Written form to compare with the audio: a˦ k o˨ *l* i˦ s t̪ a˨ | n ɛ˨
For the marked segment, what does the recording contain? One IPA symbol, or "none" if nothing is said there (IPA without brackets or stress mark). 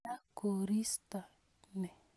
ɾ